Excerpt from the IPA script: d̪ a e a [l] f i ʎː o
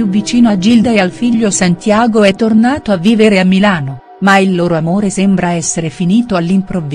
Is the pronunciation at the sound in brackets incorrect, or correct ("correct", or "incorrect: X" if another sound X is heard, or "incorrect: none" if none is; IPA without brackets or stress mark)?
correct